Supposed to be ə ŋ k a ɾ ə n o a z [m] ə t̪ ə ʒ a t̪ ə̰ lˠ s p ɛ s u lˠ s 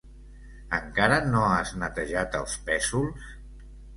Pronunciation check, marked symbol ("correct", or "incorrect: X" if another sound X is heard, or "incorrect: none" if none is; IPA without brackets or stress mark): incorrect: n